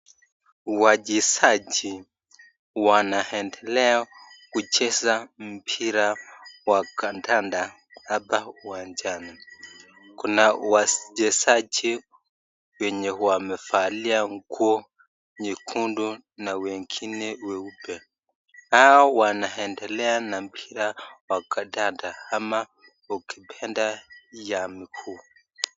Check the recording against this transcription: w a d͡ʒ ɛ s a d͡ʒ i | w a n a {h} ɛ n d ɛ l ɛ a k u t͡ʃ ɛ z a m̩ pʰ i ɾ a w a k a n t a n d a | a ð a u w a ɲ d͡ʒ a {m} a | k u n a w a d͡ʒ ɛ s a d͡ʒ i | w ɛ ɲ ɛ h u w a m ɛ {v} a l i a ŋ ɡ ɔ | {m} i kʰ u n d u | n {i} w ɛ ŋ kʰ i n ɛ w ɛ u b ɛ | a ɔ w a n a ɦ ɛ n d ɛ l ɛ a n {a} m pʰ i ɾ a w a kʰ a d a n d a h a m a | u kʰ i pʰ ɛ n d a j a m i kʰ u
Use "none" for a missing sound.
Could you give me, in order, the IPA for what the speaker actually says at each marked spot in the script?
h, n, f, ɲ, a, a

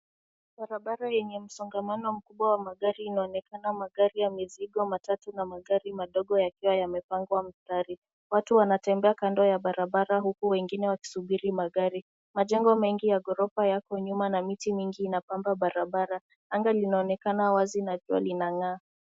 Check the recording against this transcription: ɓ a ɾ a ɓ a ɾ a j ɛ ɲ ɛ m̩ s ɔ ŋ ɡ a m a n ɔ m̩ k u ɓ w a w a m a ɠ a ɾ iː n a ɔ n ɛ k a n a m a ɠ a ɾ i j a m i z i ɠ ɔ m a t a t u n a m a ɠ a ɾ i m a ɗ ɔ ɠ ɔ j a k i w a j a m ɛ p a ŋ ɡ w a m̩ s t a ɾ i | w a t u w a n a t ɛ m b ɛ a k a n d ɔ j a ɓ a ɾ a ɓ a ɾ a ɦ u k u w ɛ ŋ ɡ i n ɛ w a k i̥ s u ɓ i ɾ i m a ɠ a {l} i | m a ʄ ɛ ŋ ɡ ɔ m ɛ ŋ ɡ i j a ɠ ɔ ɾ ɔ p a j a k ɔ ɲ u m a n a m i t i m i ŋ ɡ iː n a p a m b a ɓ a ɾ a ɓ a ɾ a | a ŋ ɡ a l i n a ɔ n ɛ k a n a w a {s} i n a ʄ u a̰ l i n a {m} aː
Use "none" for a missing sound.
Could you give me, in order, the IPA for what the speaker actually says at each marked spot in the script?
ɾ, z, ŋ

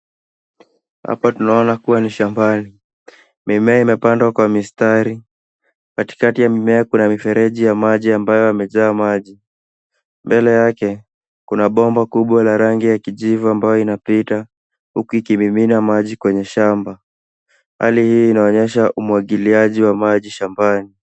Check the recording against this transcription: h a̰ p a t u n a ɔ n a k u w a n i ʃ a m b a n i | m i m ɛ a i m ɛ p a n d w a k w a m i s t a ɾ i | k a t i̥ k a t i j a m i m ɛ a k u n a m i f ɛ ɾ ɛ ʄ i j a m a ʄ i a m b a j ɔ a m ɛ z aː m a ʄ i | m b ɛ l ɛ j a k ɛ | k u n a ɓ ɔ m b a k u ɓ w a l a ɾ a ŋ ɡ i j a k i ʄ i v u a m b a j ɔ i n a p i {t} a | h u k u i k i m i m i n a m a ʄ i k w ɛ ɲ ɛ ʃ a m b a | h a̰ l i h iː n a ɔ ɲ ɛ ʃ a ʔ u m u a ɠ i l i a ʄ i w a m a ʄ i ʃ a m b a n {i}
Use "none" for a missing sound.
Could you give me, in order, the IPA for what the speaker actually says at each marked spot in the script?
t, i

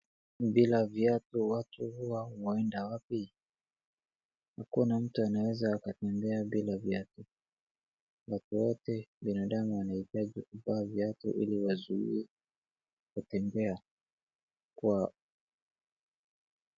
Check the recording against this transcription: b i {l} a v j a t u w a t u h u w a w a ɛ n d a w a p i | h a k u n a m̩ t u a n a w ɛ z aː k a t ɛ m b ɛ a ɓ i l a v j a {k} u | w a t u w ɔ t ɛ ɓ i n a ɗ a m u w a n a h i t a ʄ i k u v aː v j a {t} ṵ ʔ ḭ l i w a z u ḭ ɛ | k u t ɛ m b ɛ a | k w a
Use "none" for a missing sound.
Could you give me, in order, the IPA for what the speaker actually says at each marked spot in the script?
l, t, t

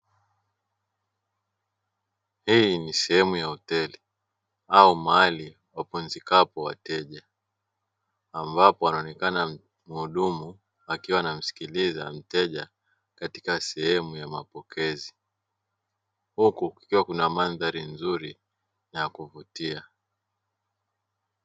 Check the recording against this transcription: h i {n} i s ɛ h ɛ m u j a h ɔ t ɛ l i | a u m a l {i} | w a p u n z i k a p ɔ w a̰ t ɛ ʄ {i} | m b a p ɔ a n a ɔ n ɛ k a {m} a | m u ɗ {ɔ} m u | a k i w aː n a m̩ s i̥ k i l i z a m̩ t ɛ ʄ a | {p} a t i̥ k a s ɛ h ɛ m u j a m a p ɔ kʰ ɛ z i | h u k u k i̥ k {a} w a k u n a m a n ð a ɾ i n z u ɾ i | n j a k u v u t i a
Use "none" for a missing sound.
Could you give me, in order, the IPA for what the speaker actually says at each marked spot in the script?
n, i, a, n, u, k, i

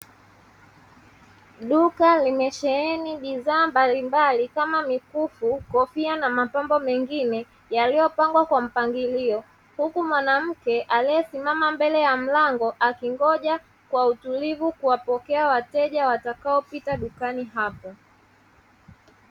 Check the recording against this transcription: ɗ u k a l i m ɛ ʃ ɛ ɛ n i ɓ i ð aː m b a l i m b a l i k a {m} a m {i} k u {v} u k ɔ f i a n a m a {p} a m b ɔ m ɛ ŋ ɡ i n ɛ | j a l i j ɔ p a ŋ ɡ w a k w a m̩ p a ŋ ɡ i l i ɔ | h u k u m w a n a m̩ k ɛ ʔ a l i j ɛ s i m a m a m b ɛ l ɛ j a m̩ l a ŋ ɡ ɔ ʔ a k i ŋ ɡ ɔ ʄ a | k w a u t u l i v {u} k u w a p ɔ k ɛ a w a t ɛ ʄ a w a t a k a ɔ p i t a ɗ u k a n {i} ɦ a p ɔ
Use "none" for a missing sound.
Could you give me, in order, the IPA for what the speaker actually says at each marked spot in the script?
m, i, f, p, u, i

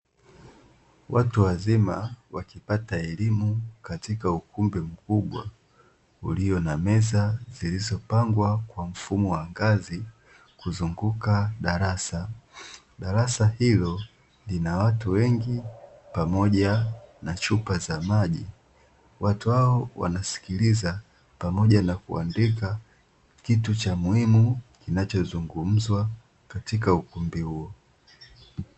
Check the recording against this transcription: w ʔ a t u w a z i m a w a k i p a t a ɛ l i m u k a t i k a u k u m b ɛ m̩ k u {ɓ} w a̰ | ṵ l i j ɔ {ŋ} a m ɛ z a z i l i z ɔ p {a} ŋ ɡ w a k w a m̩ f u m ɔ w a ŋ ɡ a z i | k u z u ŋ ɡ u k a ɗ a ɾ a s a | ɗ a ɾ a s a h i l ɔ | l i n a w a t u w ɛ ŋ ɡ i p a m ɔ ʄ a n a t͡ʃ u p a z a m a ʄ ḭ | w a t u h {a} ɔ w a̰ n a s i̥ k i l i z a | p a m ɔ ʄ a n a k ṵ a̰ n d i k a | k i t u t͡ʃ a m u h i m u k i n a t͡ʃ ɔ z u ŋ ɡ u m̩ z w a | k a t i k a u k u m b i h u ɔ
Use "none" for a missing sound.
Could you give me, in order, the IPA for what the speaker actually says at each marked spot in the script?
ɓ, n, a, a

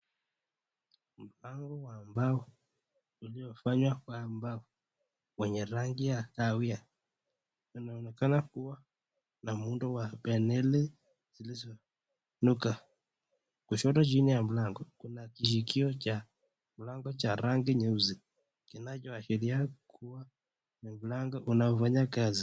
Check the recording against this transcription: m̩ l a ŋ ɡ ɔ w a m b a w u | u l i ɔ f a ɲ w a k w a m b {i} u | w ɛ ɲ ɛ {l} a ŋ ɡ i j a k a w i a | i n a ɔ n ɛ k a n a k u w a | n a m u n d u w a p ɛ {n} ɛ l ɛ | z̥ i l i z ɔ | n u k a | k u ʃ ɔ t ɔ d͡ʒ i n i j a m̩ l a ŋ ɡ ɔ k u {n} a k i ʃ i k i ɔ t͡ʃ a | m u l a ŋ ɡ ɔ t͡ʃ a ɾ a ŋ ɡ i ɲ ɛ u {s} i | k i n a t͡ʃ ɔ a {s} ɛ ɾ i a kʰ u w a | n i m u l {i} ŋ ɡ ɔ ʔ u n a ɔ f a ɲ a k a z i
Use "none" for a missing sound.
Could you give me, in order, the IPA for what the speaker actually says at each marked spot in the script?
a, ɾ, n, n, z, ʃ, a

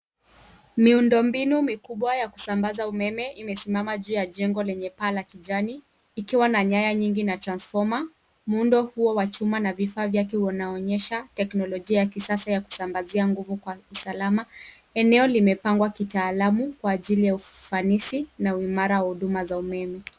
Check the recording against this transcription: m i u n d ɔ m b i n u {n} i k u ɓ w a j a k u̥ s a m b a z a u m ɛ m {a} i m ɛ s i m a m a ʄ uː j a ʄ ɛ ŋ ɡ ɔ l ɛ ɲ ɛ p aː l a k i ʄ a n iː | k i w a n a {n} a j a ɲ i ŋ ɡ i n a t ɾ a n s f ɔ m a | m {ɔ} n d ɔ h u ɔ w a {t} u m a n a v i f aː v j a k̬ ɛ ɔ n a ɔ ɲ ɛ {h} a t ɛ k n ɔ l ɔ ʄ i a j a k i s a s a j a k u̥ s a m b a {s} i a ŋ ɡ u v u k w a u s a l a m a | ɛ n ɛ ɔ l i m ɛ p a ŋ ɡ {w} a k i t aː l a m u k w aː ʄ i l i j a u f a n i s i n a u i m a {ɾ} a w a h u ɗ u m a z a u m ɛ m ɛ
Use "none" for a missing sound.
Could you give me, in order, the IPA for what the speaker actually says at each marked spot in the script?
m, ɛ, ɲ, u, t͡ʃ, ʃ, z, w, ɾ

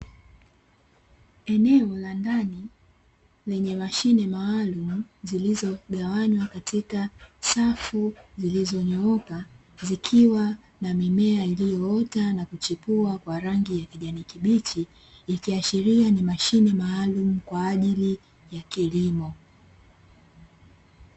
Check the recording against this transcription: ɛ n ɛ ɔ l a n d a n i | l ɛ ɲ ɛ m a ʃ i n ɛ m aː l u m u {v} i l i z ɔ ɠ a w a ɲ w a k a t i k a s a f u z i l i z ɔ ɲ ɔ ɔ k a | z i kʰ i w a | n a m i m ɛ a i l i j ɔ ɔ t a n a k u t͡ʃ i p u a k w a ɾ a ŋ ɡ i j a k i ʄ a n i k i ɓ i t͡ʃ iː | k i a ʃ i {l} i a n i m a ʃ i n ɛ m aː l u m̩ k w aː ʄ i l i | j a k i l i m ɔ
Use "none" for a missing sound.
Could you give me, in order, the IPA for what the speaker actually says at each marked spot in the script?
z, ɾ

